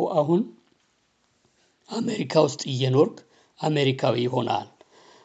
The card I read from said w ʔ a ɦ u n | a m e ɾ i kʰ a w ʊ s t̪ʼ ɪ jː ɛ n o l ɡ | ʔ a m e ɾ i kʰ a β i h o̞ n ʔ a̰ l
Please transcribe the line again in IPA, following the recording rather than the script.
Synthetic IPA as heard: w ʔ a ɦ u n | a m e ɾ i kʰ a w ʊ s t̪ʼ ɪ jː ɛ n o ɾ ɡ | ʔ a m e ɾ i kʰ a w i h o̞ n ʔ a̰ l